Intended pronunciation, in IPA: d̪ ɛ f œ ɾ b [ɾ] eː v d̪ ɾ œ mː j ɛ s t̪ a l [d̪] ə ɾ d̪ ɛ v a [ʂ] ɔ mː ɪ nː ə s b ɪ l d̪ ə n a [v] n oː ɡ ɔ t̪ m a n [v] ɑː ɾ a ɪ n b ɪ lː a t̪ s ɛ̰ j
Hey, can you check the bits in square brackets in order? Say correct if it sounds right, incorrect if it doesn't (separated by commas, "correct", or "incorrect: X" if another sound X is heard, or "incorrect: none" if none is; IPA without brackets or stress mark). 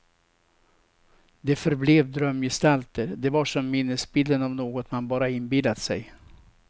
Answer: incorrect: l, incorrect: t̪, correct, correct, incorrect: b